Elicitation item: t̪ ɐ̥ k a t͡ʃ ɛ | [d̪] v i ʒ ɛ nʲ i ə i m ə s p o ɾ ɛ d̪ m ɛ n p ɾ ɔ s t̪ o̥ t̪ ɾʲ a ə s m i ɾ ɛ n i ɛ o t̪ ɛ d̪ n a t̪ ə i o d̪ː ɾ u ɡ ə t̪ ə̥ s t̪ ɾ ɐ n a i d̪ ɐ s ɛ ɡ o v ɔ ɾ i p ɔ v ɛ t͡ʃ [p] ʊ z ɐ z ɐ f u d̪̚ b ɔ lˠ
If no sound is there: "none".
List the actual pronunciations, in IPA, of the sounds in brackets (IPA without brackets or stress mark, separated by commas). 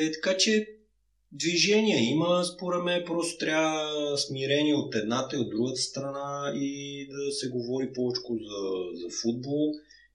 d̪, k